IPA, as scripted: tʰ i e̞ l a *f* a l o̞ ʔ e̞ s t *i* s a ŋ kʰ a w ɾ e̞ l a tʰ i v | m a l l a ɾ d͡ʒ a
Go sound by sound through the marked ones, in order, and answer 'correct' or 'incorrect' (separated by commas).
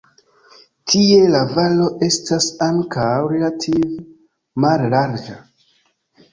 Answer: incorrect, incorrect